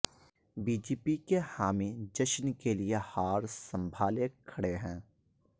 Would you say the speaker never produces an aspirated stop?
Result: no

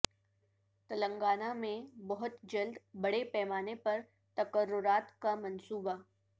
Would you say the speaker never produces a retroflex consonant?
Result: no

